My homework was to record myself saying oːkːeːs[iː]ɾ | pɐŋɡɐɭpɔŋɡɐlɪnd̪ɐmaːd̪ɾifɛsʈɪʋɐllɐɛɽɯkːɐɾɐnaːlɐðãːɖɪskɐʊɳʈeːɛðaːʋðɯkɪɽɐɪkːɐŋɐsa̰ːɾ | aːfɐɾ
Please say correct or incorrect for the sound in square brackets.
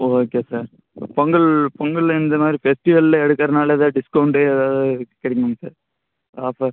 incorrect: aː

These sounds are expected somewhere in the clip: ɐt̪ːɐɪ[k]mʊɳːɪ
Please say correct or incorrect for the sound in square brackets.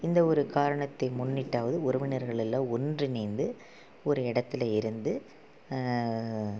incorrect: none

